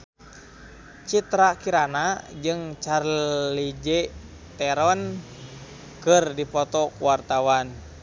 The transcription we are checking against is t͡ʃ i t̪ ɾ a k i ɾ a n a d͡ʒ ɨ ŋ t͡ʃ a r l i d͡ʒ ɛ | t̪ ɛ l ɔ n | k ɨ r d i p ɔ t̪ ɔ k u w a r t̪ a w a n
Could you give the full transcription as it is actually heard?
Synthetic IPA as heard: t͡ʃ i t̪ ɾ a k i ɾ a n a d͡ʒ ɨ ŋ t͡ʃ a r l i d͡ʒ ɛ | t̪ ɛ ɾ ɔ n | k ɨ r d i p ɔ t̪ ɔ k u w a r t̪ a w a n